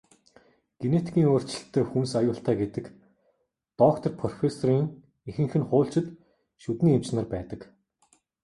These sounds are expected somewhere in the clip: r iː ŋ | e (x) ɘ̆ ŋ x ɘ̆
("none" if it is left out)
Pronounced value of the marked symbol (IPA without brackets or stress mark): x